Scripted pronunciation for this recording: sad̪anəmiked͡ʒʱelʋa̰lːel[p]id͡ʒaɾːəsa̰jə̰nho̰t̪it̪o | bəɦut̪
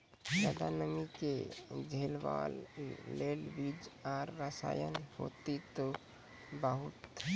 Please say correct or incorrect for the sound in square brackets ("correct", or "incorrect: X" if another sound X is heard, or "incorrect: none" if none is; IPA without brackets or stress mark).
incorrect: b